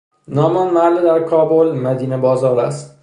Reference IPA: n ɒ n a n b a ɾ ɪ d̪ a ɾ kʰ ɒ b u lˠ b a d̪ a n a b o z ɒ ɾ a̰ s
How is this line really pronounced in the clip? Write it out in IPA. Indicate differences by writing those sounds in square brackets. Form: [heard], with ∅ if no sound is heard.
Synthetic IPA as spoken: n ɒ [m] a n [m] a [l] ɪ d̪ a ɾ kʰ ɒ b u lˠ [m] a d̪ [i] n a b [ɒ] z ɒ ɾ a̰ s